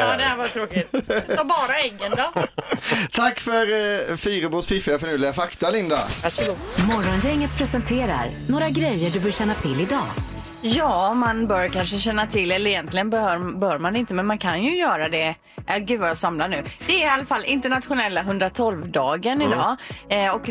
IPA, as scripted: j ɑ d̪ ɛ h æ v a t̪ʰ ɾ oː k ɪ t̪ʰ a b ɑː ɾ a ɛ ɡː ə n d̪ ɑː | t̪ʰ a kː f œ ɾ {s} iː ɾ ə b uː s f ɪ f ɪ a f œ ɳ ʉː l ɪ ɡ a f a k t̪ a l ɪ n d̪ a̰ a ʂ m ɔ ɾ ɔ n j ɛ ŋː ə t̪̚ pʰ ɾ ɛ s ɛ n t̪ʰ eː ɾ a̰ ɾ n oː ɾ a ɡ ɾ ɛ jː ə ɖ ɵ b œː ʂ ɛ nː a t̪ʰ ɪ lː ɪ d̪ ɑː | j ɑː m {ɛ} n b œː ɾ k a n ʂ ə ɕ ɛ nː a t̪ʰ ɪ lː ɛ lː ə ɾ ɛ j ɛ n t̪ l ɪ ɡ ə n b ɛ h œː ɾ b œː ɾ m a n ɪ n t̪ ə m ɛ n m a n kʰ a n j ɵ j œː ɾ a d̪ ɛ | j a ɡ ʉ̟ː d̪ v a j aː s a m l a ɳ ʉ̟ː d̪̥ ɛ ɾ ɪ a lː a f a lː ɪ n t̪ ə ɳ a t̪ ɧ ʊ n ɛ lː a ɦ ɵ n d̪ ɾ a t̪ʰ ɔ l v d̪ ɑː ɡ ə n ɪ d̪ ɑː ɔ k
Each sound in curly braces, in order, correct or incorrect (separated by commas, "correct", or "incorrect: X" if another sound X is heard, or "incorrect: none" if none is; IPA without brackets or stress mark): incorrect: f, incorrect: a